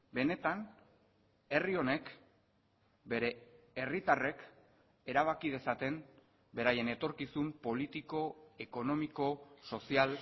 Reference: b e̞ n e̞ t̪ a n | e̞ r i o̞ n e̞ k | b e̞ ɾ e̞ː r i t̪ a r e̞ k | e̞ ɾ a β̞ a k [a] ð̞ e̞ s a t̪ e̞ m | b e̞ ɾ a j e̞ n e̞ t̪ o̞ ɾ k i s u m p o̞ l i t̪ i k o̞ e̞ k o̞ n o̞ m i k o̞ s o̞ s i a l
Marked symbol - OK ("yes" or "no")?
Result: no